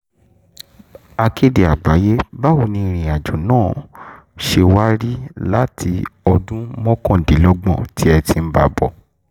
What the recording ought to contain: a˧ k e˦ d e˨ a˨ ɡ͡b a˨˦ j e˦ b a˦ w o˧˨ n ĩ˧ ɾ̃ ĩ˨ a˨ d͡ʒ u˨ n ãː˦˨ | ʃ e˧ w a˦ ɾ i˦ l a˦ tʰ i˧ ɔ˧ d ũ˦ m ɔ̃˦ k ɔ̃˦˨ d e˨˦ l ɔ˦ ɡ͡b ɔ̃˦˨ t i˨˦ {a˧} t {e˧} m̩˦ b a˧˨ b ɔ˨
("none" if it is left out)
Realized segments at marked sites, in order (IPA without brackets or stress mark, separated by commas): ɛ˧, i˧